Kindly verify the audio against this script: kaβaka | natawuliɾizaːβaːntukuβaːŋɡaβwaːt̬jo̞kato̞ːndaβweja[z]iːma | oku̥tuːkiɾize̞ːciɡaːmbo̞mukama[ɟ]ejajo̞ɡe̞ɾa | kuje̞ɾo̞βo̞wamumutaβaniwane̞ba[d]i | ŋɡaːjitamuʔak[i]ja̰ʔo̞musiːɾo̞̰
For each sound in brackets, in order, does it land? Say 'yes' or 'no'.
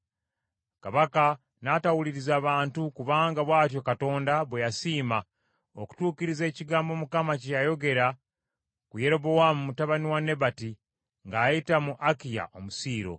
no, no, no, yes

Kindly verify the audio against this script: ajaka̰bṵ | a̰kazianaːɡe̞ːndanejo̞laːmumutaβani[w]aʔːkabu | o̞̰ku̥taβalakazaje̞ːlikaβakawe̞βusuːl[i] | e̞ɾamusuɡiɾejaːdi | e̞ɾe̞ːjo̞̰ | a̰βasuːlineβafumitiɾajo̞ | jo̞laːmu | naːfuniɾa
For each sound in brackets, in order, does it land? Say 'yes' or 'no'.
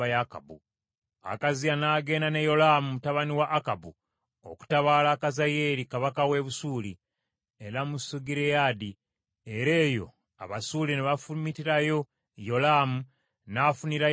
yes, yes

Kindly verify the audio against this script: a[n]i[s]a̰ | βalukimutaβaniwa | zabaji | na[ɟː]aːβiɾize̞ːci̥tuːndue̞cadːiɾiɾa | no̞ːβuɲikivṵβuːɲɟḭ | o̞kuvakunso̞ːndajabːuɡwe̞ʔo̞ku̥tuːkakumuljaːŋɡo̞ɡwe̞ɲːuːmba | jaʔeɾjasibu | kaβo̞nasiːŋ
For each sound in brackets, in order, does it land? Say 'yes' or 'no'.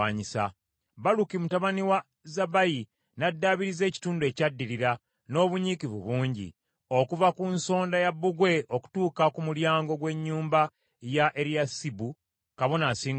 no, yes, no

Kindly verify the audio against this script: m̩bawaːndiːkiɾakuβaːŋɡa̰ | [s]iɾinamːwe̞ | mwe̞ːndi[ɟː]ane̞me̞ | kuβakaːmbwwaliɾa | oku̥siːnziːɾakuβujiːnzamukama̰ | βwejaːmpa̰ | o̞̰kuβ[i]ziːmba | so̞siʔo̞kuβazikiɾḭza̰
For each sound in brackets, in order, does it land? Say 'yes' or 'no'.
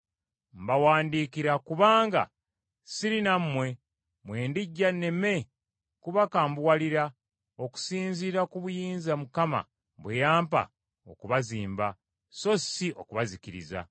yes, yes, no

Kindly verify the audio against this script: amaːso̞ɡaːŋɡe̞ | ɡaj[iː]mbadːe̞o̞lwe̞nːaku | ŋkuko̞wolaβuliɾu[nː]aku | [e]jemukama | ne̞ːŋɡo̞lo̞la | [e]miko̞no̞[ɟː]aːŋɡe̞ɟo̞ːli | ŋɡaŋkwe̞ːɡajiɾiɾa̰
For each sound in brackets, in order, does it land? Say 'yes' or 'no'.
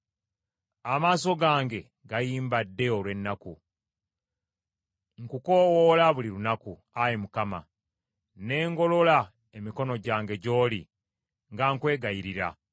yes, no, no, yes, no

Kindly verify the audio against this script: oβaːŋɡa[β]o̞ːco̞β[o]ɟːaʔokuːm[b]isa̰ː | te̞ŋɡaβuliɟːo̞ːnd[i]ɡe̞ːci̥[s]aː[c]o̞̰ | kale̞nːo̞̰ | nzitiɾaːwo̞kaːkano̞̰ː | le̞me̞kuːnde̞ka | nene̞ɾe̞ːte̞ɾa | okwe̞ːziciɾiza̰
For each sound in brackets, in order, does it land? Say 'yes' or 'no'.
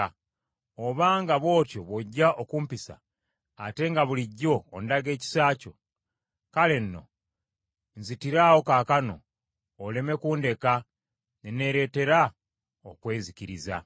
yes, yes, no, no, yes, yes

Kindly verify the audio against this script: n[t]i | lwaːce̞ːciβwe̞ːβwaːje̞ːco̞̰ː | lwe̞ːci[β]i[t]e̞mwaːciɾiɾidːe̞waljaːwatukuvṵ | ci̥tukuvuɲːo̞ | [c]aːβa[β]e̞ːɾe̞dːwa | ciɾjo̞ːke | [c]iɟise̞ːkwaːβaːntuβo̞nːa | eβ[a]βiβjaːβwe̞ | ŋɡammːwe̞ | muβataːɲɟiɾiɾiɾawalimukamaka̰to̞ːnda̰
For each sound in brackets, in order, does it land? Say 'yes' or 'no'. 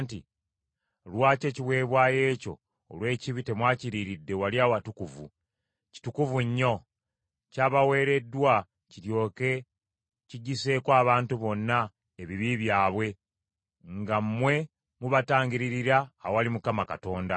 yes, yes, yes, yes, no, yes, no

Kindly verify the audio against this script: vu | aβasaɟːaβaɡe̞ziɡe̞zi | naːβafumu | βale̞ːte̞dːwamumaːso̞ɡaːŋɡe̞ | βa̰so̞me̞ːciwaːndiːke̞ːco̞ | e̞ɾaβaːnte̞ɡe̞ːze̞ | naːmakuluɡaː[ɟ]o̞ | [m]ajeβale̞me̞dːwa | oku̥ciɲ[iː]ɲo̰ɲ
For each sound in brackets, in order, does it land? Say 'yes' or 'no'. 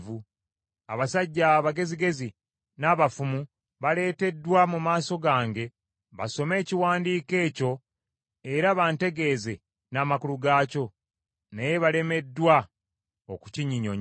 no, no, no

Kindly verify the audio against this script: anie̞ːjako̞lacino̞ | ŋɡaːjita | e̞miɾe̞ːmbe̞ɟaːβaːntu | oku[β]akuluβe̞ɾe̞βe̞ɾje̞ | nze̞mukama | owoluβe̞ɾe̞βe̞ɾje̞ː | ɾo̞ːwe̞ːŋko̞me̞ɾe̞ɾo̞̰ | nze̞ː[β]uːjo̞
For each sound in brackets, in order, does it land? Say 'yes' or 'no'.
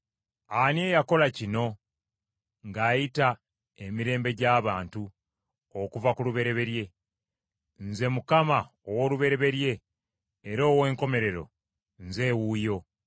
no, no

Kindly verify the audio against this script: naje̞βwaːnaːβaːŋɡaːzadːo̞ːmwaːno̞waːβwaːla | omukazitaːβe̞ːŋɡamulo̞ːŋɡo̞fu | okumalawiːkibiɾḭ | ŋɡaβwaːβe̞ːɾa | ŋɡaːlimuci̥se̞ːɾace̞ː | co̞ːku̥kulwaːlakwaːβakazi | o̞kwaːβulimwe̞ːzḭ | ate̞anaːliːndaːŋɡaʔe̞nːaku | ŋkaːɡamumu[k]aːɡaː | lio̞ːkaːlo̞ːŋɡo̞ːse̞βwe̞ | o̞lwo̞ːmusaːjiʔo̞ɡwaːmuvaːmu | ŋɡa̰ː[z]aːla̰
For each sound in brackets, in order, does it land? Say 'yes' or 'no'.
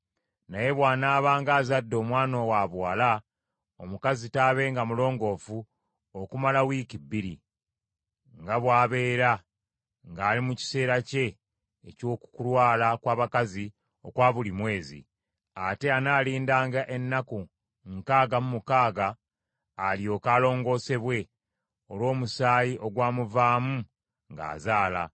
yes, yes

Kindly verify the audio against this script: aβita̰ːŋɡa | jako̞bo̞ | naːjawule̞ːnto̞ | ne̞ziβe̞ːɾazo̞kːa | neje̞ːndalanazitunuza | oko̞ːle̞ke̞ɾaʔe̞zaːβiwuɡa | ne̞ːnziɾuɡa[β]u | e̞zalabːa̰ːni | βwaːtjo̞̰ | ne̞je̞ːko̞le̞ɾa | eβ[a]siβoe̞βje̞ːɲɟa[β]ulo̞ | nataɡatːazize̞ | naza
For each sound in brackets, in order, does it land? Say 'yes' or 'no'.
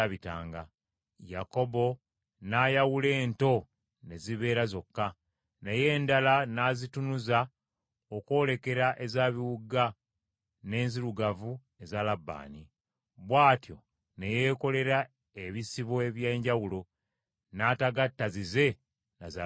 no, no, no

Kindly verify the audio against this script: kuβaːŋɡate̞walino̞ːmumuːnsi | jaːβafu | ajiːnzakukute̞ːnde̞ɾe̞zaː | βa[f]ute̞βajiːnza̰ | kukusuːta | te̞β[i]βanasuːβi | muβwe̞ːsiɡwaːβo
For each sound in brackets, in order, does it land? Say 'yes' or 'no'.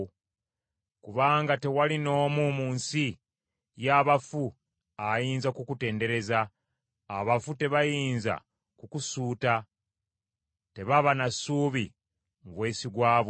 yes, no

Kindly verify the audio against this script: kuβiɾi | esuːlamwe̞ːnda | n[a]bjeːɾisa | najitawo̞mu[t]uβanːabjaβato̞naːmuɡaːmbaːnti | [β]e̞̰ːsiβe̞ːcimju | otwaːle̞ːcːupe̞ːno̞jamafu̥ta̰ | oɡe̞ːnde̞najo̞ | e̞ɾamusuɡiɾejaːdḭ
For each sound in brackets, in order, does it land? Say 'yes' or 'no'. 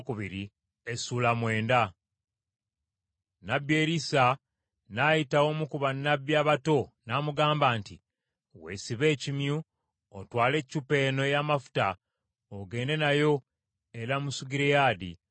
yes, no, no

